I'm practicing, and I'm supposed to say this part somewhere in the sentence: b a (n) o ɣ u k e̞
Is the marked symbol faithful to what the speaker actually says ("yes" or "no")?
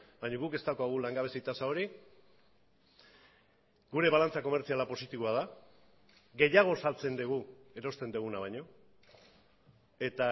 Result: no